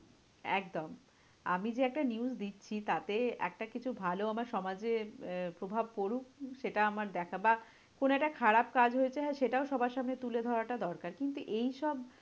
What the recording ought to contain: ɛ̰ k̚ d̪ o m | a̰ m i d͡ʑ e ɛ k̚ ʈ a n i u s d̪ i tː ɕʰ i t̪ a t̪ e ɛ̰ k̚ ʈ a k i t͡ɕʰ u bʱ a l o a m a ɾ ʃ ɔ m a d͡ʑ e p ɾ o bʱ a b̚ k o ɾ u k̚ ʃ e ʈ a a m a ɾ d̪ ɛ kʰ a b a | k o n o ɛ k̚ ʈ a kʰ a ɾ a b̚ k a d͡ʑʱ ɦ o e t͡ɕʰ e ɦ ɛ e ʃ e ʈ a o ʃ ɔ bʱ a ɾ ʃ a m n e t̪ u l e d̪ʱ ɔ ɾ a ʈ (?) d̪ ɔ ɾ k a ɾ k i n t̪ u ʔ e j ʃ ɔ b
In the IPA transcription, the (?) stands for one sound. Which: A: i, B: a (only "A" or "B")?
B